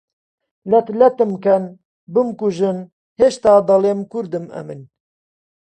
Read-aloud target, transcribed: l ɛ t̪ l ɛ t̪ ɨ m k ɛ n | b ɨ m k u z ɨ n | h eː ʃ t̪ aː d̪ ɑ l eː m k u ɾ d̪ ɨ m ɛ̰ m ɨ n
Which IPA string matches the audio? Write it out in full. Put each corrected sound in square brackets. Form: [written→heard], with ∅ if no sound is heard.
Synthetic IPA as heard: l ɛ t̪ l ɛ t̪ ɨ m k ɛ n | b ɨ m k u [z→ʒ] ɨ n | h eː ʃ t̪ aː d̪ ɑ l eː m k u ɾ d̪ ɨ m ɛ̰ m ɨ n

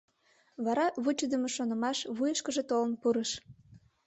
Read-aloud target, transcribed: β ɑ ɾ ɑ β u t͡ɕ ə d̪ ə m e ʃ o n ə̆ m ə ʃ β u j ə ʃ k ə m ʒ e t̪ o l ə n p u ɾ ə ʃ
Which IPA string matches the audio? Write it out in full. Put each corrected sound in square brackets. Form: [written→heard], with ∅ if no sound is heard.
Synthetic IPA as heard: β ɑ ɾ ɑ β u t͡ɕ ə d̪ ə m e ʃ o n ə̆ m [ə→ɑ] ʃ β u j ə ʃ k ə [m→∅] ʒ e t̪ o l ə n p u ɾ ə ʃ

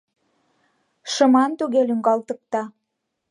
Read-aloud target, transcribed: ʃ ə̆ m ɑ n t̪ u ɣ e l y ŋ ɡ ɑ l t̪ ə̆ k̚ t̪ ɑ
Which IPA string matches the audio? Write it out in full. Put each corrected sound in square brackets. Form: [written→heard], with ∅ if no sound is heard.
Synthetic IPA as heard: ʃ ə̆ m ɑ n t̪ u ɣ e l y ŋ ɡ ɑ l t̪ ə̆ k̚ t̪ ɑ

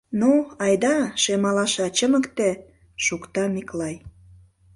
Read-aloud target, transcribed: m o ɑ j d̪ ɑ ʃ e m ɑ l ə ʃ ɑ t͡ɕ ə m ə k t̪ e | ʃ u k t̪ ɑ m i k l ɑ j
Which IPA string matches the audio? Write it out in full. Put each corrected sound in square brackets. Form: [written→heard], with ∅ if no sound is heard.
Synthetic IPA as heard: [m→n] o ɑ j d̪ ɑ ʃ e m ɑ l [ə→ɑ] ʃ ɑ t͡ɕ ə m ə k t̪ e | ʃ u k t̪ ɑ m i k l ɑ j

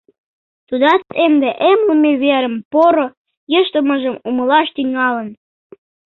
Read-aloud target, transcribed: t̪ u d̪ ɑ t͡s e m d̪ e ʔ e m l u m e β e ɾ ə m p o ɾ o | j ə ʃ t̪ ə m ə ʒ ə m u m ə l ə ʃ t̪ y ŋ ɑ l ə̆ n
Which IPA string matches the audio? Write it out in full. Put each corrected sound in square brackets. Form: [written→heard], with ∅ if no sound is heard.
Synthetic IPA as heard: t̪ u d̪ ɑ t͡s e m d̪ e ʔ e m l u m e β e ɾ ə m p o ɾ o | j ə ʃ t̪ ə m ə ʒ ə m u m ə l [ə→ɑ] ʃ t̪ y ŋ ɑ l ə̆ n

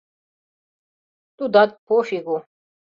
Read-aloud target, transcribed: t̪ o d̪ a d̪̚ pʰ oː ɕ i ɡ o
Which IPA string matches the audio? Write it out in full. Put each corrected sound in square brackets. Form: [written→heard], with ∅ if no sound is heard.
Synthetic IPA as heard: t̪ [o→u] d̪ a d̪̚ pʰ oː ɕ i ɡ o

